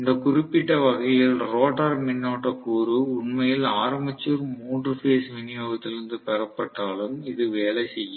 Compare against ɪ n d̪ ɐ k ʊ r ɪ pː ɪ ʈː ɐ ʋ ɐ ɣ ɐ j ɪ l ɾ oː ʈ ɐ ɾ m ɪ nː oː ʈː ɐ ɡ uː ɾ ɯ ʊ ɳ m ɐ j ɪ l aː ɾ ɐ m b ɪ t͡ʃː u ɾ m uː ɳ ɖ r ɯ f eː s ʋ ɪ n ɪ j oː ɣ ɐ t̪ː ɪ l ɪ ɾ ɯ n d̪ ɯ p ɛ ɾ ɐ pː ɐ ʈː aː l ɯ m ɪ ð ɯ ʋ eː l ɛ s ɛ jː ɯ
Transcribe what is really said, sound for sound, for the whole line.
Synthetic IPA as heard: ɪ n d̪ ɐ k ʊ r ɪ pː ɪ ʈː ɐ ʋ ɐ ɣ ɐ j ɪ l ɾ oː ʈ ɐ ɾ m ɪ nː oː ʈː ɐ k uː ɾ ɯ ʊ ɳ m ɐ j ɪ l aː ɾ ɐ m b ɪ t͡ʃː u ɾ m uː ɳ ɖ r ɯ f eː s ʋ ɪ n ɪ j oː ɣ ɐ t̪ː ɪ l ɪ ɾ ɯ n d̪ ɯ p ɛ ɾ ɐ pː ɐ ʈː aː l ɯ m ɪ ð ɯ ʋ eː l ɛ s ɛ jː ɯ